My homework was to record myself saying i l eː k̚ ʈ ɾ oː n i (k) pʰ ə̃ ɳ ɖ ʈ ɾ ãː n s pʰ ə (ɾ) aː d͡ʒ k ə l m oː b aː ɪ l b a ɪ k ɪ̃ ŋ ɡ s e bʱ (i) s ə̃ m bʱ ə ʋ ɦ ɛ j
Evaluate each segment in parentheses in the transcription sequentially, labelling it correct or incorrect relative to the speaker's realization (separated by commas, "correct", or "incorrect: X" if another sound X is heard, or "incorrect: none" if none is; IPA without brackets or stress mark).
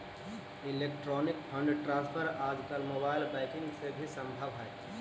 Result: correct, correct, correct